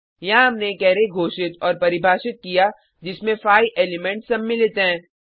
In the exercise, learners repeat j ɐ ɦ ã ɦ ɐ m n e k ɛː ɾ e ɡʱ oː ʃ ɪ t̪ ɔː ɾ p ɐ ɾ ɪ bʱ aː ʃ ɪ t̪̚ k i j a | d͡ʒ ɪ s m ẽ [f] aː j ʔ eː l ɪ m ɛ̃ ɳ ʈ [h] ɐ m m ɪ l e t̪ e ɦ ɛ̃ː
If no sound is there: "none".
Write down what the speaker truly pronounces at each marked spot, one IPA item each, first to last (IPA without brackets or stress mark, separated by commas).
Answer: f, s